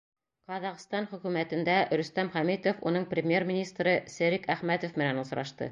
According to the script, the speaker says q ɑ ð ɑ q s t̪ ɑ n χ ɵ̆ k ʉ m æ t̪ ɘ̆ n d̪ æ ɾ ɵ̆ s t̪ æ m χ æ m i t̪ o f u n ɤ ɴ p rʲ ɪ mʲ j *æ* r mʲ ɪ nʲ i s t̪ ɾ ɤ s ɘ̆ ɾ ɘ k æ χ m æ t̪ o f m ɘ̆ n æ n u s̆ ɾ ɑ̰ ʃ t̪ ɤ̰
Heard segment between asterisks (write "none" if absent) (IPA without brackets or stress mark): e